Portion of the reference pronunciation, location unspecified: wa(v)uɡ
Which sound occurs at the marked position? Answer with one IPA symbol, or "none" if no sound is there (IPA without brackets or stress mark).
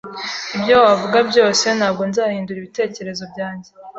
v